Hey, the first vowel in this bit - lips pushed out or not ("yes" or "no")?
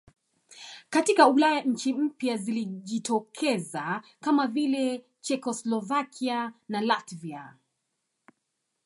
no